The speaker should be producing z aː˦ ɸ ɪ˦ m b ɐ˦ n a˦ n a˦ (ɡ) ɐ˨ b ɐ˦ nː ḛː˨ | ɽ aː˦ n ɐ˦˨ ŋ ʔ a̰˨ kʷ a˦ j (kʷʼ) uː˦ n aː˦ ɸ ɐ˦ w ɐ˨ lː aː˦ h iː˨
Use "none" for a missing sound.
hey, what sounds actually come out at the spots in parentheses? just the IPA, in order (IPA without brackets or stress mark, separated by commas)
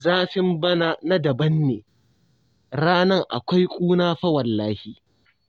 d, kʷʼ